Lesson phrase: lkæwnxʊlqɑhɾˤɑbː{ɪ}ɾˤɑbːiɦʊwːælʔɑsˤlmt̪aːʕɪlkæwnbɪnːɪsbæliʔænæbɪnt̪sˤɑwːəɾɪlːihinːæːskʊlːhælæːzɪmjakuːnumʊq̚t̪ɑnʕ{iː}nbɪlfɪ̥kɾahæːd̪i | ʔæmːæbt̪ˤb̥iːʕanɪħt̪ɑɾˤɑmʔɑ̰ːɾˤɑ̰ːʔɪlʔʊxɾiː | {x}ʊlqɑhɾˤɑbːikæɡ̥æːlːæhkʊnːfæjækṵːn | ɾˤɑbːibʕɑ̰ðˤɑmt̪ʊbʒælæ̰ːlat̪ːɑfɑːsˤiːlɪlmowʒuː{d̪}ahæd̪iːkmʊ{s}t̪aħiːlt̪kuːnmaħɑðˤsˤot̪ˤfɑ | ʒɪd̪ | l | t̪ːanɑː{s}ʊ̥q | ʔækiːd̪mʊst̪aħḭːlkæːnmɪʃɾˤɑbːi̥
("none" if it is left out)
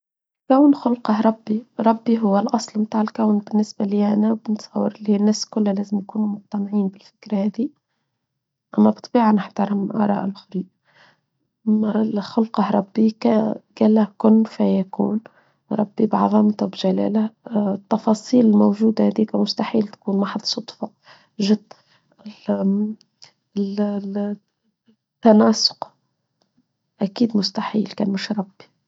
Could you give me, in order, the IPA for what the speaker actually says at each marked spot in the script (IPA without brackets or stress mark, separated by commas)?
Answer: i, iː, x, d̪, s, s